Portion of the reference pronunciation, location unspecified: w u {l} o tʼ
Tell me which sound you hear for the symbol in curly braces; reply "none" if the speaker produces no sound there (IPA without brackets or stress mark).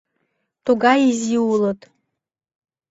l